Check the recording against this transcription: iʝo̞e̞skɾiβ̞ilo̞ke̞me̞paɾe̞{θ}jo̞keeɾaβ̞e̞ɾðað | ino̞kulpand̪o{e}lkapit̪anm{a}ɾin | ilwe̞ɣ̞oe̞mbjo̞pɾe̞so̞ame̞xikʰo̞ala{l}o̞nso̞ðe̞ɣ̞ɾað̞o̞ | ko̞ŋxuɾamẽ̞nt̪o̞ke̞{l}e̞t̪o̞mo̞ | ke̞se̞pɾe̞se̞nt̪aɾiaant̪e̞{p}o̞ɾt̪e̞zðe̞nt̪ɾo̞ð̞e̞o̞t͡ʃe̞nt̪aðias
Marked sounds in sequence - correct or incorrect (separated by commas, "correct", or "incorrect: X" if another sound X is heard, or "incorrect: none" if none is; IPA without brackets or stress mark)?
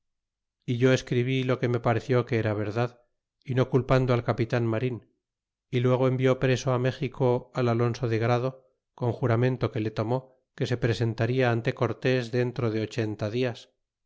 correct, incorrect: a, correct, correct, correct, incorrect: k